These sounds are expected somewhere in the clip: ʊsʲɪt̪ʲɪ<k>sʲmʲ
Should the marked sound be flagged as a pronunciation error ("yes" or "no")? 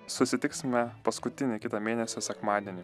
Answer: no